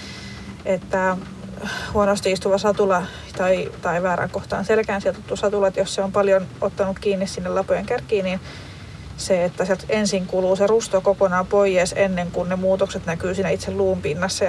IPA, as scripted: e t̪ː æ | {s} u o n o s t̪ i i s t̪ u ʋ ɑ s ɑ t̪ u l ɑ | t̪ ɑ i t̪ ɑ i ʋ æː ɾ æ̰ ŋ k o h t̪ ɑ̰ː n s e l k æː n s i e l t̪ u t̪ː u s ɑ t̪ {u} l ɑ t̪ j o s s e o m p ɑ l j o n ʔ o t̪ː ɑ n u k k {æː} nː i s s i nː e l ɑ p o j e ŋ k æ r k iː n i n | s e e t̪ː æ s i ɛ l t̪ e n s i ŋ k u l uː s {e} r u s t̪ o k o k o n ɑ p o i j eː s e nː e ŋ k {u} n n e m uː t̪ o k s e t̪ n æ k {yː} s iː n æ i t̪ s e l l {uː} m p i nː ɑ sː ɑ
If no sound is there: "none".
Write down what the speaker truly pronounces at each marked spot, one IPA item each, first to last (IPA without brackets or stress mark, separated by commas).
h, u, iː, e, u, yː, uː